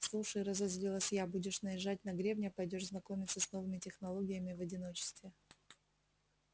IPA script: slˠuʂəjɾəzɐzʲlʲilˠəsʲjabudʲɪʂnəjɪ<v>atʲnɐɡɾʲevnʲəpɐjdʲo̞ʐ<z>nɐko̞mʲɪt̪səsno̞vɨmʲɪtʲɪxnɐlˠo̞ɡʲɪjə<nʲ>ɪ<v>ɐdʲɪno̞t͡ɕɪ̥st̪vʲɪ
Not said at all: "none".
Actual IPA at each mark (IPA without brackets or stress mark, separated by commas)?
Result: ʐ, z, mʲ, v